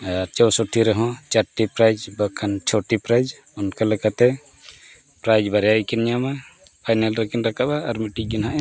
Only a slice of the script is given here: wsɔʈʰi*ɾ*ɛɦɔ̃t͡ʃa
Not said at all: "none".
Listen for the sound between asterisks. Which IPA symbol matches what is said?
ɾ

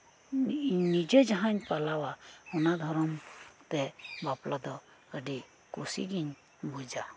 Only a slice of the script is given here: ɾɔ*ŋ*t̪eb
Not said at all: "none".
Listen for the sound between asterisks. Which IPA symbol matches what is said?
m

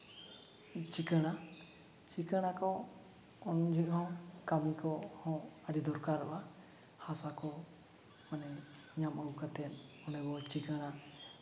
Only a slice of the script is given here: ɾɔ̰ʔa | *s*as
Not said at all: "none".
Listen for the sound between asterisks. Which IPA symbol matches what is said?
h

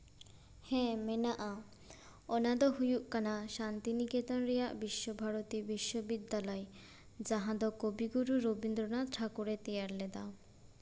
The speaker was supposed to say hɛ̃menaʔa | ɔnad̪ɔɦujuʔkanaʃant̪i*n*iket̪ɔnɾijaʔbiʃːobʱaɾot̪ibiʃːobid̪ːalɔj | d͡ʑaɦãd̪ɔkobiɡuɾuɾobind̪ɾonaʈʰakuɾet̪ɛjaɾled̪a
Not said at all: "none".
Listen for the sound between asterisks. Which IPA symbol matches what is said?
n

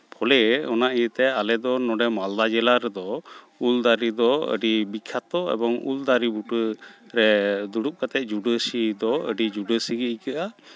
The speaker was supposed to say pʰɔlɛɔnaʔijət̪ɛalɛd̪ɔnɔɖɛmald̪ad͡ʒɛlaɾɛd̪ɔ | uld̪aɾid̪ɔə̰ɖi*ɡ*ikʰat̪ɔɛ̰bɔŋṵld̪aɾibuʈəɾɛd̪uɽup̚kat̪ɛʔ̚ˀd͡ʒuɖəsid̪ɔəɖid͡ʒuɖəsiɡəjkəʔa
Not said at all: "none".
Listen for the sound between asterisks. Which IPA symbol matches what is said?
b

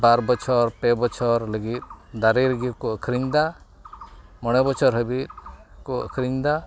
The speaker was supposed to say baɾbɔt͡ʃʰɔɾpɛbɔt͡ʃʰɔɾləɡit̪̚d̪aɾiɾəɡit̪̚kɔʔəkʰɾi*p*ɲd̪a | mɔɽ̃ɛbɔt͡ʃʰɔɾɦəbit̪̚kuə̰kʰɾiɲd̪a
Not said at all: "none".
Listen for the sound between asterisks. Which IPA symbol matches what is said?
none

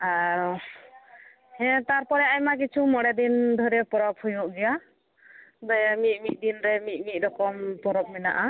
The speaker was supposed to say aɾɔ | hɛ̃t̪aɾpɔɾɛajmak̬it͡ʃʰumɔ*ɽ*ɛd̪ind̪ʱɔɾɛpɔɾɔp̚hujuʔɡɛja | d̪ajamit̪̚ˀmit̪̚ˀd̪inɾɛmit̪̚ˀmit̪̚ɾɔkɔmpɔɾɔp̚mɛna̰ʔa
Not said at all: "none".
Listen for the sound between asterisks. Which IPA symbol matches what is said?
ɽ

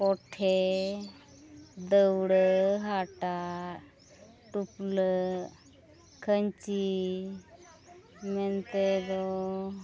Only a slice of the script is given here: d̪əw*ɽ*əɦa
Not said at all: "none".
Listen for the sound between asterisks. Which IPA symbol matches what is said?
ɽ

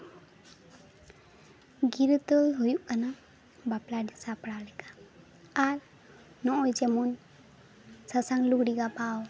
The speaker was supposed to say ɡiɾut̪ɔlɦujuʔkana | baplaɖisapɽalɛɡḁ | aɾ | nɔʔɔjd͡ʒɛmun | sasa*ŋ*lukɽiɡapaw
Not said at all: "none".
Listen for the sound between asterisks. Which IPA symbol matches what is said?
ŋ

